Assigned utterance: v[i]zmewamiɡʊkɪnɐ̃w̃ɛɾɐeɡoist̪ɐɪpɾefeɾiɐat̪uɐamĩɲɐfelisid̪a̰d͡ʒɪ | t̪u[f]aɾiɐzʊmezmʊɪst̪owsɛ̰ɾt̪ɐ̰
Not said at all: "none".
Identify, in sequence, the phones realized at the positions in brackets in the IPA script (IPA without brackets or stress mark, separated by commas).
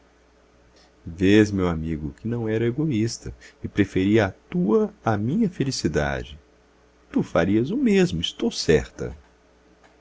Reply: e, f